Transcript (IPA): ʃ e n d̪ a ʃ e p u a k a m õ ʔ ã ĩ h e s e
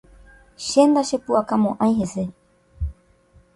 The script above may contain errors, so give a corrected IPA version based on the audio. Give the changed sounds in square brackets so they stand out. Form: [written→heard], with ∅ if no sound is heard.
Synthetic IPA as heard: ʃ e n d̪ a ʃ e p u a k a m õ ʔ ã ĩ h e s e